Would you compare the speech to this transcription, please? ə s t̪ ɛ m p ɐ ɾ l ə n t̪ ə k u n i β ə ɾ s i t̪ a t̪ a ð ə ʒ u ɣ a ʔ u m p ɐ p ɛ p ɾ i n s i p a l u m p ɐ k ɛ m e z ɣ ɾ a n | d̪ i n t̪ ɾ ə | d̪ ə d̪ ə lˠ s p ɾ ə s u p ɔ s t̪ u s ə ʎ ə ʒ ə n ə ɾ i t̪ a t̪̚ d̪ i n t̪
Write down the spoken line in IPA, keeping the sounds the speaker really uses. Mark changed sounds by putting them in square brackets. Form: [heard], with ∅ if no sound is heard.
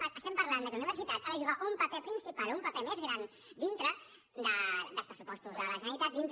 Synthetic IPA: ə s t̪ ɛ m p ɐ ɾ l [a] n [d̪] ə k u n i β ə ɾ s i t̪ a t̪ a ð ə ʒ u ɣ a ʔ u m p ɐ p ɛ p ɾ i n s i p a l u m p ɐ [p] ɛ m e z ɣ ɾ a n | d̪ i n t̪ ɾ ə | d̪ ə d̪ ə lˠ s p ɾ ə s u p ɔ s t̪ u [z] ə [l] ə ʒ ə n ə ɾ i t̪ a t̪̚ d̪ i n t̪